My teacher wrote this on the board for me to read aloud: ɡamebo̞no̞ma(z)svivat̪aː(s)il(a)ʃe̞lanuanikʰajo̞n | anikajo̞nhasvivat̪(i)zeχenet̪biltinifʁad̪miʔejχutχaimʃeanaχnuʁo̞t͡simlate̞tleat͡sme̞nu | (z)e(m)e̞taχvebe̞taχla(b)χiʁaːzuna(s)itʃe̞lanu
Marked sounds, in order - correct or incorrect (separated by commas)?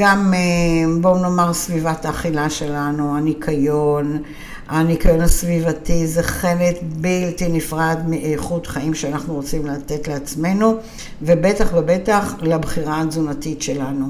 incorrect, incorrect, correct, correct, incorrect, incorrect, correct, incorrect